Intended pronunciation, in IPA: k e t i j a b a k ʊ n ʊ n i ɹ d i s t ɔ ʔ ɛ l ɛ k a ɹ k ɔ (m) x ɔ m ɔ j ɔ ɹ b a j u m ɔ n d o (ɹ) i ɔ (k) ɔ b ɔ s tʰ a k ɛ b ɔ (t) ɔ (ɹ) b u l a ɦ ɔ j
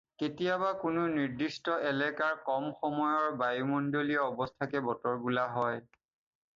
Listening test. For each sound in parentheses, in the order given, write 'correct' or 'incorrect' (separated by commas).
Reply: correct, incorrect, incorrect, correct, correct